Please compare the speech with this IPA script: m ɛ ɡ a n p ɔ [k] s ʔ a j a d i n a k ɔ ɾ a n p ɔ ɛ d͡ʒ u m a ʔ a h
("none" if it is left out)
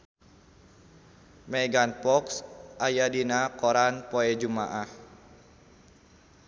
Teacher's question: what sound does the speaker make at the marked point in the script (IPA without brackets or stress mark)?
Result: k